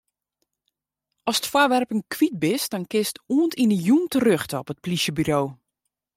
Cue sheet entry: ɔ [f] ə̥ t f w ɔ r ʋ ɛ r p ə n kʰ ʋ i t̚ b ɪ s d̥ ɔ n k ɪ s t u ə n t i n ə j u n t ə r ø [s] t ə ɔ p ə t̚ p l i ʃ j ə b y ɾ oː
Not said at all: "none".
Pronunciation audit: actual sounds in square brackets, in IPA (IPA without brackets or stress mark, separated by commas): s, x